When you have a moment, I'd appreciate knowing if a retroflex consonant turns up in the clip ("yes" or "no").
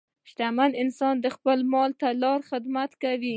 no